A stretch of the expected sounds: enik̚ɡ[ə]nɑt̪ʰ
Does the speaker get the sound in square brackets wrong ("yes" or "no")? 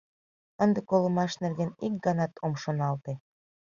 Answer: yes